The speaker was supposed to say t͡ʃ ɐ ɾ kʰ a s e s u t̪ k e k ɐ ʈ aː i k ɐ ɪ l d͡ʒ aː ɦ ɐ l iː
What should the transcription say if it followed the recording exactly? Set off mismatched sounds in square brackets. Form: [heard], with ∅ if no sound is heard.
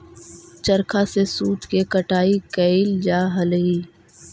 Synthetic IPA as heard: t͡ʃ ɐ ɾ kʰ a s e s [uː] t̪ k e k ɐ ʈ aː i k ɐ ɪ l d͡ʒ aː ɦ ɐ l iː